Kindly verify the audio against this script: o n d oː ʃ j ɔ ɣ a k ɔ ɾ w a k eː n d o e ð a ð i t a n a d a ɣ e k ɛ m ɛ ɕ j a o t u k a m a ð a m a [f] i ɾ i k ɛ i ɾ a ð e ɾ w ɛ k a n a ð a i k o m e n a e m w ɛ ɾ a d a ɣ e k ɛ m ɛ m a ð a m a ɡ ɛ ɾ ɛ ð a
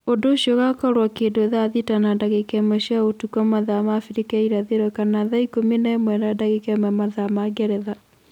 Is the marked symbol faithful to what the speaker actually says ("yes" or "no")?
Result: yes